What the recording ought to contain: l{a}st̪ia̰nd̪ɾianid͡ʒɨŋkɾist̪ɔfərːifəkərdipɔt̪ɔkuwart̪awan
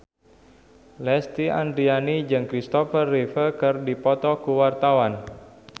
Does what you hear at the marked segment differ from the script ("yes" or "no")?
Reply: yes